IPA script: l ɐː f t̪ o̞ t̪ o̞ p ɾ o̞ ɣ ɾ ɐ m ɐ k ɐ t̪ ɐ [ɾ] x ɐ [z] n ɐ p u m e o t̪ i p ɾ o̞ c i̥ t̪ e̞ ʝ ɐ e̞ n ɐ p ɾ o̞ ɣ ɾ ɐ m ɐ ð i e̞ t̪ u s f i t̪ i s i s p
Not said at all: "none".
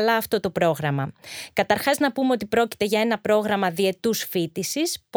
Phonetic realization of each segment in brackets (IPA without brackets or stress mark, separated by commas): ɾ, z